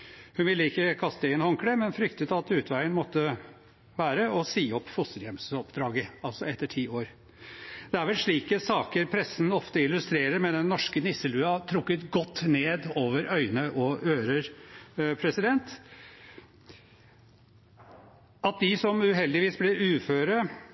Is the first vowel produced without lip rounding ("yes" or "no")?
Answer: no